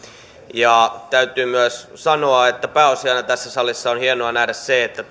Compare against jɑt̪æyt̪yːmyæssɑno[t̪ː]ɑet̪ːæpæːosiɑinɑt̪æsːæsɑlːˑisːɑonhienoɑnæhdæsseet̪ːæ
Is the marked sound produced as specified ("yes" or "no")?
no